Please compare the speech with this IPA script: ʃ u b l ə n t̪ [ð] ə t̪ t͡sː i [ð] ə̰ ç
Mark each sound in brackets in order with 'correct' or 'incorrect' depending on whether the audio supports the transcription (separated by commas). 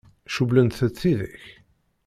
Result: incorrect, correct